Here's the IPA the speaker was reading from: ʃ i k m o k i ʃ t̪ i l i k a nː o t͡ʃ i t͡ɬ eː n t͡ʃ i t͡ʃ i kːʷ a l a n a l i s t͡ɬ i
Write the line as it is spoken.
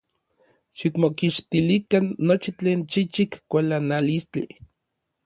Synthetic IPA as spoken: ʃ i k m o k i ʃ t̪ i l i k a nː o t͡ʃ i t͡ɬ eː n t͡ʃ i t͡ʃ i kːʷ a l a n a l i s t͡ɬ i